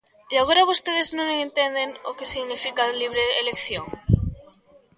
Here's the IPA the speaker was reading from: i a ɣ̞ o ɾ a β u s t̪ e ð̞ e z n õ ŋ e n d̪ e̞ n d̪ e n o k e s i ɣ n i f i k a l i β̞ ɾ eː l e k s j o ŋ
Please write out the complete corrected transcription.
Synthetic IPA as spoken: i a ɣ̞ o ɾ a β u s t̪ e ð̞ e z n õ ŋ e n t̪ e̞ n d̪ e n o k e s i ɣ n i f i k a l i β̞ ɾ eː l e k θ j o ŋ

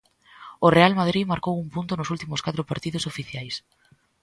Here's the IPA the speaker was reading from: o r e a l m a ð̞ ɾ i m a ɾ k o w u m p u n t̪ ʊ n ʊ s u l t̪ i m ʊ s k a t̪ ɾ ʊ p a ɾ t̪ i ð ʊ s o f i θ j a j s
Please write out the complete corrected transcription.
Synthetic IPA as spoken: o r e a l m a ð̞ ɾ i m a ɾ k o w u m p u n t̪ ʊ n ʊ s u l t̪ i m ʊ s k a t̪ ɾ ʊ p a ɾ t̪ i ð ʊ s o f i θ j a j s

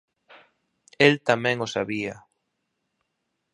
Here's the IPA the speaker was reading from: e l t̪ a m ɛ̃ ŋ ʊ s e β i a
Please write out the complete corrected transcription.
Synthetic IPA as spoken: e l t̪ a m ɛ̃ ŋ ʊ s a β i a

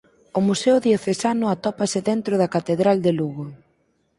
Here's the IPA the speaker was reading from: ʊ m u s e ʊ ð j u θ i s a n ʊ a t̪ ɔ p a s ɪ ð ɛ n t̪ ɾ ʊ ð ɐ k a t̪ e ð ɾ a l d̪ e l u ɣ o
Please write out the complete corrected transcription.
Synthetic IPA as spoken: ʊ m u s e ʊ ð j o θ e s a n ʊ a t̪ ɔ p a s ɪ ð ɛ n t̪ ɾ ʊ ð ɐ k a t̪ e ð ɾ a l d̪ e l u ɣ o

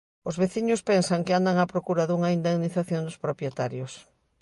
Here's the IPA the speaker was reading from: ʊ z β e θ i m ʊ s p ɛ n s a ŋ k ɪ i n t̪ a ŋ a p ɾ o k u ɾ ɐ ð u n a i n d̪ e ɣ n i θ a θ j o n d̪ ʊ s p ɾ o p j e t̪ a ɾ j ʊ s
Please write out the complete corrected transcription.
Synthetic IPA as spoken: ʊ z β e θ i ɲ ʊ s p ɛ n s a ŋ k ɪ a n d̪ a ŋ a p ɾ o k u ɾ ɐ ð u ŋ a i n d̪ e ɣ n i θ a θ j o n d̪ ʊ s p ɾ o p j e t̪ a ɾ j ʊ s

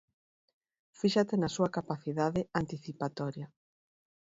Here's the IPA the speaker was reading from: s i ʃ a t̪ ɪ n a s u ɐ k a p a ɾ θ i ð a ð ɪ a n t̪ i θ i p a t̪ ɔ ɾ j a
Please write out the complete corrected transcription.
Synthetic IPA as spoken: f i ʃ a t̪ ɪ n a s u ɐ k a p a θ i ð a ð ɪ a n t̪ i θ i p a t̪ ɔ ɾ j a

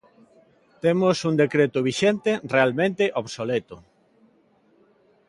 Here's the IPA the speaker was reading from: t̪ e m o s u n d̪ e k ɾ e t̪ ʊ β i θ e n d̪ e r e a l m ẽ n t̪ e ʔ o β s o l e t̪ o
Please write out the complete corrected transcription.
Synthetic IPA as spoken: t̪ e m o s u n d̪ e k ɾ e t̪ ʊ β i ʃ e n t̪ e r e a l m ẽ n t̪ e ʔ o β s o l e t̪ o

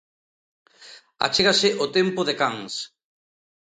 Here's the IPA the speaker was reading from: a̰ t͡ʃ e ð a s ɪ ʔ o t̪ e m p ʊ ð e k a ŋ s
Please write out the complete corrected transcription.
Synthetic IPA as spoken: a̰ t͡ʃ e ɣ a s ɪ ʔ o t̪ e m p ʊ ð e k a ŋ s

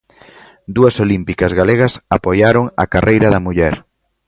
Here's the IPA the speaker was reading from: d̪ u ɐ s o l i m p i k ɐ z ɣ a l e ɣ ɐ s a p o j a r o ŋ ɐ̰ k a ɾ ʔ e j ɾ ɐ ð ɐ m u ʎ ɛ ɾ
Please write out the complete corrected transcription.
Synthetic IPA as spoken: d̪ u ɐ s o l i m p i k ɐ z ɣ a l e ɣ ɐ s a p o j a ɾ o ŋ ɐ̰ k a r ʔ e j ɾ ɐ ð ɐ m u ʎ ɛ ɾ

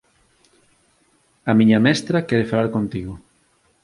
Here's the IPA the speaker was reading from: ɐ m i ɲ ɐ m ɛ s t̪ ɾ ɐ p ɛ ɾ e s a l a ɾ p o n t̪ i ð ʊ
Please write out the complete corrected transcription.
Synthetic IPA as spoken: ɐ m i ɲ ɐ m ɛ s t̪ ɾ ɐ k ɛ ɾ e f a l a ɾ k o n t̪ i ɣ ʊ

